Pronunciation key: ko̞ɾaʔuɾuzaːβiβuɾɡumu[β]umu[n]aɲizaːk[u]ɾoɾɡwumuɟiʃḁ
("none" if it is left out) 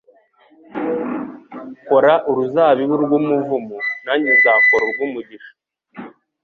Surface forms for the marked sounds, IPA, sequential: v, n, o

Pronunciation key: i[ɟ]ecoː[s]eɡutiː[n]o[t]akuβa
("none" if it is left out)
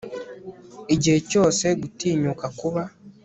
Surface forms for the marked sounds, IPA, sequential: ɟ, s, ɲ, k

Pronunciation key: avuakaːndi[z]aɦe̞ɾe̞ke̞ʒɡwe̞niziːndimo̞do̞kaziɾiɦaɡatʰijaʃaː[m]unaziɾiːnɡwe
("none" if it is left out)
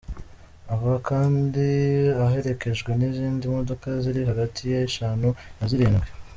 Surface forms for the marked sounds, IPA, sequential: none, n

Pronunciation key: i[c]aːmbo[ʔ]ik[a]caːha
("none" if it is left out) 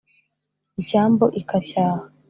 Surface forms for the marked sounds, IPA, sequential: c, ʔ, a

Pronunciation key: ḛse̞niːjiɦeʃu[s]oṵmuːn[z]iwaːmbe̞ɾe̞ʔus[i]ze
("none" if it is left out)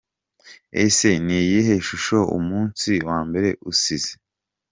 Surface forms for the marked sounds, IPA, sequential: ʃ, s, i

